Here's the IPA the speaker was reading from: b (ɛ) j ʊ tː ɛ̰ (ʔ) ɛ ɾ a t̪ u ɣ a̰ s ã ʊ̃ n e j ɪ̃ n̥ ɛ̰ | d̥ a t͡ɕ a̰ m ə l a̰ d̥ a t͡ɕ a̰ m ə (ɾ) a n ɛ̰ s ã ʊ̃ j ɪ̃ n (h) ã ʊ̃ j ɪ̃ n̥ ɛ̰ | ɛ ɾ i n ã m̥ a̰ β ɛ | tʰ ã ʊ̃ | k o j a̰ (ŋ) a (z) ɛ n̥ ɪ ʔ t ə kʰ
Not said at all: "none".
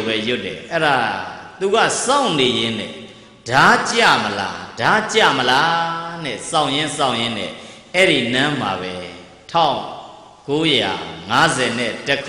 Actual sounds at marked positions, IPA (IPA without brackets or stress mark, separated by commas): ɛ, ʔ, l, s, ŋ, z